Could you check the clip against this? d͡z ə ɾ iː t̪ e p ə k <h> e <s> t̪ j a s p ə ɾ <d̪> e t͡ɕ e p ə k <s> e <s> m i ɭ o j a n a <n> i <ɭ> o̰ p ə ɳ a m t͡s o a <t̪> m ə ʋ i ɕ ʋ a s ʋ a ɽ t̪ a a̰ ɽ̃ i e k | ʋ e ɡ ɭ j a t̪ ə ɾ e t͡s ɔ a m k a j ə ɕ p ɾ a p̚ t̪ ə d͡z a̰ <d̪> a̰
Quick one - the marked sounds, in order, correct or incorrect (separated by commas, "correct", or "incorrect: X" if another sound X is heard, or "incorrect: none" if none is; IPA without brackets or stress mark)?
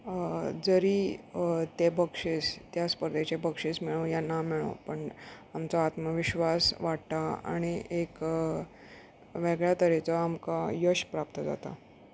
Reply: incorrect: ʂ, correct, correct, incorrect: ʂ, correct, incorrect: m, correct, correct, incorrect: t̪